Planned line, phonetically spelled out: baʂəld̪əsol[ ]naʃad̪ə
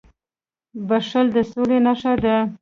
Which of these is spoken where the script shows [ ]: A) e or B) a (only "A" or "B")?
A